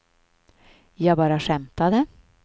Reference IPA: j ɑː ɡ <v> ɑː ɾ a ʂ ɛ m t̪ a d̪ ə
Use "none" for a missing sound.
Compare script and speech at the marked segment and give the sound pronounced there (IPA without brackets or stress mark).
b